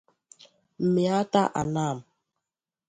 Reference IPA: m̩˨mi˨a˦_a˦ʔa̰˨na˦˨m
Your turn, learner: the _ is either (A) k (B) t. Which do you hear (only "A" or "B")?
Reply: B